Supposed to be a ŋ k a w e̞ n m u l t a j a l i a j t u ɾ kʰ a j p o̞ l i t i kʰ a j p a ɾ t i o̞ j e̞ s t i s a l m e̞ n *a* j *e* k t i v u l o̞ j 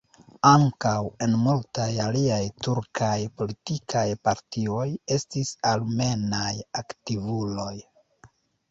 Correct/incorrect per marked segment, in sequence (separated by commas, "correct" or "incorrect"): correct, incorrect